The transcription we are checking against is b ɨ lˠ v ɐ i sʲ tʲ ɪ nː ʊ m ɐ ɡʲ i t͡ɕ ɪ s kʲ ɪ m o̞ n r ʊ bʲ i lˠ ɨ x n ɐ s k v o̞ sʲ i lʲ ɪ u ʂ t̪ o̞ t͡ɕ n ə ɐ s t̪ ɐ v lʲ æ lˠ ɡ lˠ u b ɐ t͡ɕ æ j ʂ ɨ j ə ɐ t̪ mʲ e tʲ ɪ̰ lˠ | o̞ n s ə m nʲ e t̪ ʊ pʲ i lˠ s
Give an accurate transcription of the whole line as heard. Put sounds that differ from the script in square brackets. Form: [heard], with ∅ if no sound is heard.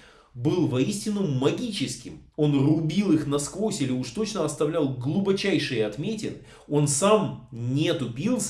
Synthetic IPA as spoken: b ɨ lˠ v ɐ i sʲ tʲ ɪ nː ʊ m ɐ ɡʲ i t͡ɕ ɪ s kʲ ɪ m o̞ n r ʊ bʲ i lˠ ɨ x n ɐ s k v o̞ sʲ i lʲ ɪ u ʂ t̪ o̞ t͡ɕ n ə ɐ s t̪ ɐ v lʲ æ lˠ ɡ lˠ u b ɐ t͡ɕ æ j ʂ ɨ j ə ɐ t̪ mʲ e tʲ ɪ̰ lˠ | o̞ n s [a] m nʲ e t̪ ʊ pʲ i lˠ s